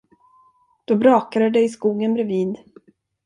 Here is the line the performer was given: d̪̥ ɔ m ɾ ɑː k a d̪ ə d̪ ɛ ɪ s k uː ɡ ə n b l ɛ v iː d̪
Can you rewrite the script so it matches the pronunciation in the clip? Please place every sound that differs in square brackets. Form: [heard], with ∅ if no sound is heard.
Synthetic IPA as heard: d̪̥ ɔ [b] ɾ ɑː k a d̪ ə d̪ ɛ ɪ s k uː ɡ ə n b [ɾ] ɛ v iː d̪